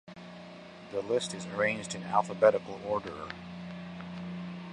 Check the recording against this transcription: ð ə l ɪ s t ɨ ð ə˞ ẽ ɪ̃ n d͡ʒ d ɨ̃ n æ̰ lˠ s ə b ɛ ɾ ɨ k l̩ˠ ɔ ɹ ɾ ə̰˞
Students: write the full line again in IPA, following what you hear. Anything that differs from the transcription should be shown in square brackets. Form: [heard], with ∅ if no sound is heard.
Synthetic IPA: ð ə l ɪ s t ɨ [z] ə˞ ẽ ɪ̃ n d͡ʒ d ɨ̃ n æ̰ lˠ [f] ə b ɛ ɾ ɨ k l̩ˠ ɔ ɹ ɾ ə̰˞